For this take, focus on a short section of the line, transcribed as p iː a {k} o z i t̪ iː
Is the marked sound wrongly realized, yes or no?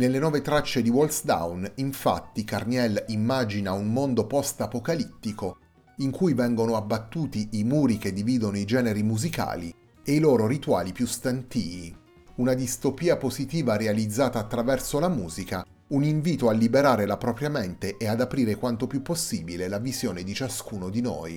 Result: yes